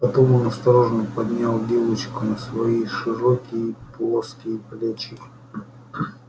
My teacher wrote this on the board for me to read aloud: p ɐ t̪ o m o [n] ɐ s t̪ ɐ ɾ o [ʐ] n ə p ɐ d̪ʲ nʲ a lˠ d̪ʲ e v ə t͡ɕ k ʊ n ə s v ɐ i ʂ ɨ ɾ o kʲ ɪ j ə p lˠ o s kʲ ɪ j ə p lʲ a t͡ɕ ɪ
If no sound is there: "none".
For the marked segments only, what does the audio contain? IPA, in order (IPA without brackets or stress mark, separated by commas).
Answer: n, ʐ